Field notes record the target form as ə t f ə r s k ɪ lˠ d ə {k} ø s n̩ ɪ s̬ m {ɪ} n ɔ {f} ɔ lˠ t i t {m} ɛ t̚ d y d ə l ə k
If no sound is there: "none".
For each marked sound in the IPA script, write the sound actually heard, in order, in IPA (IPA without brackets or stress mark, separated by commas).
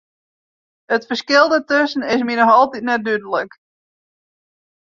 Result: t, i, x, n